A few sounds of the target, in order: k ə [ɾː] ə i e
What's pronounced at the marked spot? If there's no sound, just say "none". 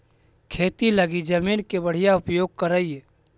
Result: ɾ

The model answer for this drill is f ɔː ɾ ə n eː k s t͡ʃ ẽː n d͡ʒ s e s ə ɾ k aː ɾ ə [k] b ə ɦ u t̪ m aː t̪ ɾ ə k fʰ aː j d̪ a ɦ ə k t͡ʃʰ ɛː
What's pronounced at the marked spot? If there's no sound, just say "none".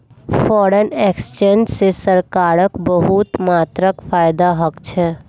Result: k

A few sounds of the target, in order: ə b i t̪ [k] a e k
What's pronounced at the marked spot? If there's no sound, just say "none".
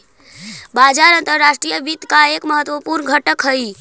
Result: k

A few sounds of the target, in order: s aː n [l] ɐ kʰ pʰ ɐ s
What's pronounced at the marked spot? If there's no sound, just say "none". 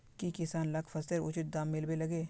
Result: l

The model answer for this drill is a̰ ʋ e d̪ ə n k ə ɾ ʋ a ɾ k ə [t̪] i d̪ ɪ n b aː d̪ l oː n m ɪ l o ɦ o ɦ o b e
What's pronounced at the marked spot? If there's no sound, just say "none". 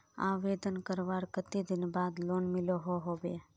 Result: t̪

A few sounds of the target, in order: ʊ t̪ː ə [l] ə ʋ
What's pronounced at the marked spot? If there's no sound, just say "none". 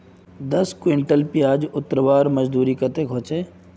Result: ɾ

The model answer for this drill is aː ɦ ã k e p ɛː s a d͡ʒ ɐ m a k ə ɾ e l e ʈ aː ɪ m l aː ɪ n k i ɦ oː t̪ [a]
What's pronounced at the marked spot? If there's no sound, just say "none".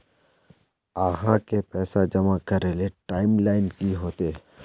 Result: e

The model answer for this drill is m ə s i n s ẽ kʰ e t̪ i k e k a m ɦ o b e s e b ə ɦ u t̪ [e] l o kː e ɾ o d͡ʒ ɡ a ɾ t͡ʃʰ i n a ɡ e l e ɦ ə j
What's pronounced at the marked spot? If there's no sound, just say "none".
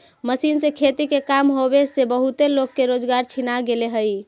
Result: e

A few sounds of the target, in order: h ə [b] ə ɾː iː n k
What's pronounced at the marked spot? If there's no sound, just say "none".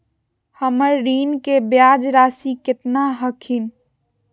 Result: m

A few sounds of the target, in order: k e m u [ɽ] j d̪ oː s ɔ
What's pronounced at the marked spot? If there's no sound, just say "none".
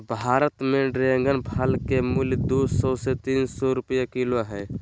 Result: l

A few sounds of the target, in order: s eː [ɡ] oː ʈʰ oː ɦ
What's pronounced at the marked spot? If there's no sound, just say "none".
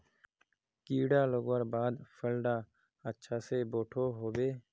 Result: b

